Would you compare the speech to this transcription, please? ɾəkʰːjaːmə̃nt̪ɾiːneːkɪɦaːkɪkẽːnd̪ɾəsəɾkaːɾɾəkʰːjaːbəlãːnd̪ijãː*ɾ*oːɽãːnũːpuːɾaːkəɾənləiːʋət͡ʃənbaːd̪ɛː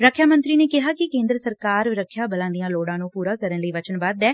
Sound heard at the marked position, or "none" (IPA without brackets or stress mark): l